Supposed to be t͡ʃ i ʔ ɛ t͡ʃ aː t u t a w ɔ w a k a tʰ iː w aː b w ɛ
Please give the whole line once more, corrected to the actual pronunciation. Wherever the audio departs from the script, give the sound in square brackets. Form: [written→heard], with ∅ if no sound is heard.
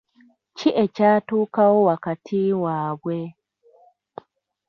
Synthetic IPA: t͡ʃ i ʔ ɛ t͡ʃ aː t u [t→k] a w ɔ w a k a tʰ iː w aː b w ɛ